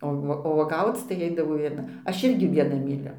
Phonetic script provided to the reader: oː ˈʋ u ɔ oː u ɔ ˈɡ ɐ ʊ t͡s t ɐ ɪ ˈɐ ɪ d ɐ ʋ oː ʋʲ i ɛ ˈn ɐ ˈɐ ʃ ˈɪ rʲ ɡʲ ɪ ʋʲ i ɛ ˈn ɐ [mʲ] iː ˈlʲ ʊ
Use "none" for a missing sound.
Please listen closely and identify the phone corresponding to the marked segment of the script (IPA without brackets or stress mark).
mʲ